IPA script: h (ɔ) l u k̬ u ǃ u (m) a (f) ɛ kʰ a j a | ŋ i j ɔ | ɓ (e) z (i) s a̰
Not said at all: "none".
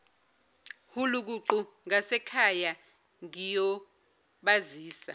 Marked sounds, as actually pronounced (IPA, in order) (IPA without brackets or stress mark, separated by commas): u, ŋ, s, a, iː